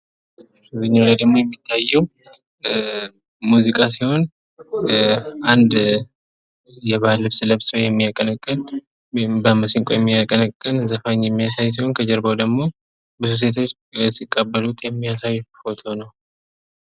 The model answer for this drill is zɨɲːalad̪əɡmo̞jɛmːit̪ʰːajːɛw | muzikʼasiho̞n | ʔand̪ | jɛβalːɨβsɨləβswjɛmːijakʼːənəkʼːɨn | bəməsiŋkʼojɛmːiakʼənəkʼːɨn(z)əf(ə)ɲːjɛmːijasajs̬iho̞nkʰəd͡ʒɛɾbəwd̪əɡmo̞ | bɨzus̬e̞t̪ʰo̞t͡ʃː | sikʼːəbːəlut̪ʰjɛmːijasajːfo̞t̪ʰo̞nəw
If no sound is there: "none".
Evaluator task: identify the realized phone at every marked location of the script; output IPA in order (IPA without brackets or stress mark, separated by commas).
z, a